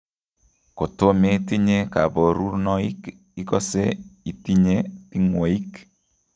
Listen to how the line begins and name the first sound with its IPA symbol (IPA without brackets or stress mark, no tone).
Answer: k